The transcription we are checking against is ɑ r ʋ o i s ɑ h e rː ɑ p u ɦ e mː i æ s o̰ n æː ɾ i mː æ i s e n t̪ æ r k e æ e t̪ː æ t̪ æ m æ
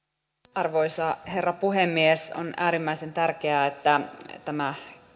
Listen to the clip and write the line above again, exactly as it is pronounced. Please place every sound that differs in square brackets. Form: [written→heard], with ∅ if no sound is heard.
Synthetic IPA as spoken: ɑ r ʋ o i s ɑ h e rː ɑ p u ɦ e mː i [æ→e] s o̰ n æː ɾ i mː æ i s e n t̪ æ r k e æ e t̪ː æ t̪ æ m æ

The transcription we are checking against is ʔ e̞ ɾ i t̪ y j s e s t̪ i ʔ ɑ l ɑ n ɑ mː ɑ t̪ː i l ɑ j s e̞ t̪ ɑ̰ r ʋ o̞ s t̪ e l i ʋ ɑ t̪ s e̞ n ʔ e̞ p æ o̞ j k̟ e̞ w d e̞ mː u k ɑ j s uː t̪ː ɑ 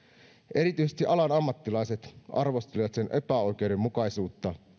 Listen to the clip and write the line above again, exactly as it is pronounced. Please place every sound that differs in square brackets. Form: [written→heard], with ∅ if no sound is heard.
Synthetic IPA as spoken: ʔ e̞ ɾ i t̪ y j s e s t̪ i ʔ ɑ l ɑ n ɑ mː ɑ t̪ː i l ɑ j s e̞ t̪ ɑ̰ r ʋ o̞ s t̪ e l i ʋ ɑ t̪ s e̞ n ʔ e̞ p æ o̞ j k̟ e̞ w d e̞ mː u k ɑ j s uː t̪ː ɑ

